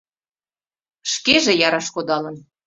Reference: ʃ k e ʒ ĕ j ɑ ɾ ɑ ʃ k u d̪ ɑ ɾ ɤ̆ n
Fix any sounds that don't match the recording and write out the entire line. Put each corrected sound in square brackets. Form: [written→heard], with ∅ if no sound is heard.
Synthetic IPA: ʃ k e ʒ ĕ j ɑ ɾ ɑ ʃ k [u→o] d̪ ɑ [ɾ→l] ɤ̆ n